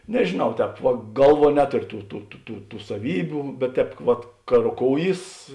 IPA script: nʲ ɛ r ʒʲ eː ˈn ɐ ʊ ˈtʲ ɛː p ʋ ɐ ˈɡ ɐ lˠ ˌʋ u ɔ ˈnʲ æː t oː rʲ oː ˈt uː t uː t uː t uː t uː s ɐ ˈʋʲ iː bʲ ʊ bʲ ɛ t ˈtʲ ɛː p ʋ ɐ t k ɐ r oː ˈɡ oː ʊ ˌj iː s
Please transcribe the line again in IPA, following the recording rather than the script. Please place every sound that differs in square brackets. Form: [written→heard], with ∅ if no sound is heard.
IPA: nʲ ɛ [r→∅] ʒʲ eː ˈn ɐ ʊ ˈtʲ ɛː p ʋ ɐ ˈɡ ɐ lˠ ˌʋ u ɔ ˈnʲ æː t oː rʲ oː ˈt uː t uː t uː t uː t uː s ɐ ˈʋʲ iː bʲ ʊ bʲ ɛ t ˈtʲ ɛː p ʋ ɐ t k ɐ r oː [ˈɡ→ˈk] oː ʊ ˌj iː s